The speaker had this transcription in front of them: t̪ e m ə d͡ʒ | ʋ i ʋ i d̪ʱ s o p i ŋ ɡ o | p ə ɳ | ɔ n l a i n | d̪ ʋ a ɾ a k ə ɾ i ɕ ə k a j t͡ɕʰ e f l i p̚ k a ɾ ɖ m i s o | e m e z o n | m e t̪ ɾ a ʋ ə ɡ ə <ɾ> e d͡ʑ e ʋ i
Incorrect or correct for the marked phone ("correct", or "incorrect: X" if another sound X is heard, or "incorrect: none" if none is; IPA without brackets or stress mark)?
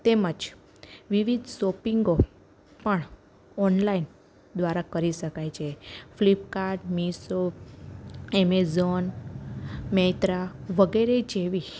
correct